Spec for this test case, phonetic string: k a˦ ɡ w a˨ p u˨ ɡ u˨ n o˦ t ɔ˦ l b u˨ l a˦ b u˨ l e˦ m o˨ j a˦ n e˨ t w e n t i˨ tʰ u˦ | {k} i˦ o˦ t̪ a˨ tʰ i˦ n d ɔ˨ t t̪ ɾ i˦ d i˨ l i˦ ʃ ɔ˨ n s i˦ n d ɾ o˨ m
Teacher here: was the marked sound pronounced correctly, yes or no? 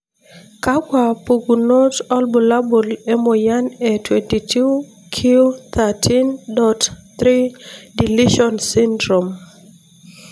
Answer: no